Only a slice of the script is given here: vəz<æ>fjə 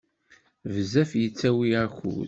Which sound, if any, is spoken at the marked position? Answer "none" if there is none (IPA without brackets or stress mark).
æ